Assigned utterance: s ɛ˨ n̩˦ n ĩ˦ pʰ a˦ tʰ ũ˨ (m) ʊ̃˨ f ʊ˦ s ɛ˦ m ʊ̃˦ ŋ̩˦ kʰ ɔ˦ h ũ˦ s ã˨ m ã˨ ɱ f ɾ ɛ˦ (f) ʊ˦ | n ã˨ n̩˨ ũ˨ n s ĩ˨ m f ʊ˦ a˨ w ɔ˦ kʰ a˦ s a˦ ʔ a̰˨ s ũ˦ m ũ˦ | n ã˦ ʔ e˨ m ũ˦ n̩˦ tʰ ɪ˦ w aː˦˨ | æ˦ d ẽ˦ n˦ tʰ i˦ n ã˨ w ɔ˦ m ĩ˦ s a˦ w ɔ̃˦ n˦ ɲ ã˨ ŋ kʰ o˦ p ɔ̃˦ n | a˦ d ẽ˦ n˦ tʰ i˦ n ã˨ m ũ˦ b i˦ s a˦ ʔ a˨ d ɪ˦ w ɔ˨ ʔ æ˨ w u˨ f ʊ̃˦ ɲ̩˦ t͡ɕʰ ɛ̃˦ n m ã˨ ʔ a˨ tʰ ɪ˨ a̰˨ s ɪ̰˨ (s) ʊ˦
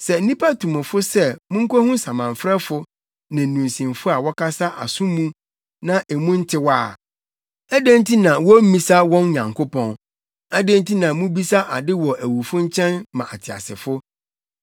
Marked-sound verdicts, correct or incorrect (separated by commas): correct, correct, incorrect